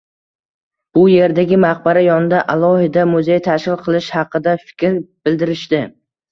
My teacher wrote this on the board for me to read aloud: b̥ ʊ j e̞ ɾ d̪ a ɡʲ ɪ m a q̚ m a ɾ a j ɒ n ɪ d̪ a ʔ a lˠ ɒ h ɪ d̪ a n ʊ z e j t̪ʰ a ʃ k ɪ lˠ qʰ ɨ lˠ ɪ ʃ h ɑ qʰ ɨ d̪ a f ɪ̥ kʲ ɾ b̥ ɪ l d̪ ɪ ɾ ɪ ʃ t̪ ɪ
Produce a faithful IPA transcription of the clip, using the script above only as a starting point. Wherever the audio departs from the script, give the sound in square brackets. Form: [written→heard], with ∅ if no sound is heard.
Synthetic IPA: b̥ ʊ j e̞ ɾ d̪ a ɡʲ ɪ m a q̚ [m→b] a ɾ a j ɒ n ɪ d̪ a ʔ a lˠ ɒ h ɪ d̪ a [n→m] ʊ z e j t̪ʰ a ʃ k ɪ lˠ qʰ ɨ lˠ ɪ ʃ h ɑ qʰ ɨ d̪ a f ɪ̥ kʲ ɾ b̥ ɪ l d̪ ɪ ɾ ɪ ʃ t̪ ɪ